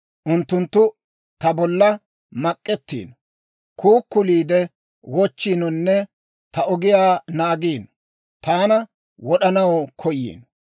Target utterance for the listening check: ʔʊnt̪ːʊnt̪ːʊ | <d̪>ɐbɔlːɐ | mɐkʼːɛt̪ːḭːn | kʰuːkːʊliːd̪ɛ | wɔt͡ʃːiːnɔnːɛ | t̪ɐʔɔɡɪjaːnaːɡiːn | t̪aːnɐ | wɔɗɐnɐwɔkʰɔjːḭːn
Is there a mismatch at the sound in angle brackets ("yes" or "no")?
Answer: yes